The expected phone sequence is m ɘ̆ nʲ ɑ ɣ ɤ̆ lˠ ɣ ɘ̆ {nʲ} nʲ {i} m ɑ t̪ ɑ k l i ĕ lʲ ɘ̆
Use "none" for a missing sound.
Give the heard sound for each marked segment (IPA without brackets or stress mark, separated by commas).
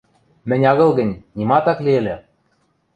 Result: nʲ, i